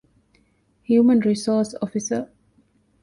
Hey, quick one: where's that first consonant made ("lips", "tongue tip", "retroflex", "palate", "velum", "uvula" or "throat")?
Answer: throat